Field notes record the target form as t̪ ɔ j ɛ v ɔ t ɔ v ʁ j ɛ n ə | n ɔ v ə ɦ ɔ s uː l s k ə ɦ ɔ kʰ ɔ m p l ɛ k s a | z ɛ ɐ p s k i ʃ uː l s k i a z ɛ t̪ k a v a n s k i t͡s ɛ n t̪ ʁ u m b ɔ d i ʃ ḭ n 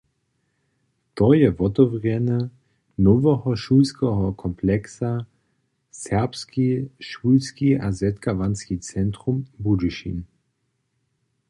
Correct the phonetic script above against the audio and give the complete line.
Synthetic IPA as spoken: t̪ ɔ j ɛ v ɔ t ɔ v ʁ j ɛ n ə | n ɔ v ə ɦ ɔ ʃ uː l s k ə ɦ ɔ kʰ ɔ m p l ɛ k s a | s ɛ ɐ p s k i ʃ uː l s k i a z ɛ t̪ k a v a n s k i t͡s ɛ n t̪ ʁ u m b u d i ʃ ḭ n